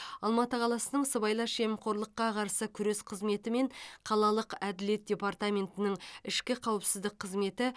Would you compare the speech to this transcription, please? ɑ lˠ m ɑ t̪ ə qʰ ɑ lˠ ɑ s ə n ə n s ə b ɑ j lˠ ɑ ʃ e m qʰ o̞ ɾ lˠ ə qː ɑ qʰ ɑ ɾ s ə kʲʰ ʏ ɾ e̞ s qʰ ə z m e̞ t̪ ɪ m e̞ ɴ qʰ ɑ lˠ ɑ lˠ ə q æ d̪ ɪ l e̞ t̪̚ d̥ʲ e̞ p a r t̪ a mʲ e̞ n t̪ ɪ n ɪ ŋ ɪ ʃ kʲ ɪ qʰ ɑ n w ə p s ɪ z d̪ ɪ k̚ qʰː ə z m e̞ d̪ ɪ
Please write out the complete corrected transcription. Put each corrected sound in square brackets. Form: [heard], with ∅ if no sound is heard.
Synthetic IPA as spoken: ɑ lˠ m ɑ t̪ ə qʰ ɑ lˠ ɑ s ə n ə [ɴ] s ə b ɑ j lˠ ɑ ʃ e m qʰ o̞ ɾ lˠ ə qː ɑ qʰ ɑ ɾ s ə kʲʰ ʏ ɾ e̞ s qʰ ə z m e̞ t̪ ɪ m e̞ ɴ qʰ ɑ lˠ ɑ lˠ ə q æ d̪ ɪ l e̞ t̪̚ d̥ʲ e̞ p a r t̪ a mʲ e̞ n t̪ ɪ n ɪ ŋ ɪ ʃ kʲ ɪ qʰ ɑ [∅] w ə p s ɪ z d̪ ɪ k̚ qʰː ə z m e̞ [t̪] ɪ